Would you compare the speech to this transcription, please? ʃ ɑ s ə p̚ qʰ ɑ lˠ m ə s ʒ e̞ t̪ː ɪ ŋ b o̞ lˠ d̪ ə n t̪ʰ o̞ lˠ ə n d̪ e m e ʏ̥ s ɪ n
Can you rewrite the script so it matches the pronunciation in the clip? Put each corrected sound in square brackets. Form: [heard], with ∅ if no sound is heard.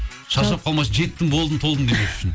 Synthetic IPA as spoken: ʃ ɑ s [ɑ] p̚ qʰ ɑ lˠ m [ɑ] s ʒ e̞ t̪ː ɪ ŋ b o̞ lˠ d̪ ə n t̪ʰ o̞ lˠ ə n d̪ e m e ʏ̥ [ʃ] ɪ n